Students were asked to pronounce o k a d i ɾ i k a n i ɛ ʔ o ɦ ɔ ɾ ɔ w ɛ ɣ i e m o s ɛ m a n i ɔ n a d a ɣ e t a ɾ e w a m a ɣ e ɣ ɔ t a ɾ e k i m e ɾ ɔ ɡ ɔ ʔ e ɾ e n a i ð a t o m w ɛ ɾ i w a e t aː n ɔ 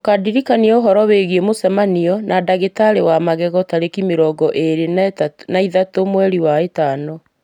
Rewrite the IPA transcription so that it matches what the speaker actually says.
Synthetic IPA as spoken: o k a d i ɾ i k a n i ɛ o ɦ ɔ ɾ ɔ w e ɣ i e m o s ɛ m a n i ɔ n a d a ɣ e t a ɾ e w a m a ɣ ɛ ɣ ɔ t a ɾ e k i m e ɾ ɔ ɡ ɔ ʔ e ɾ e n a i ð a t o m w ɛ ɾ i w a e t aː n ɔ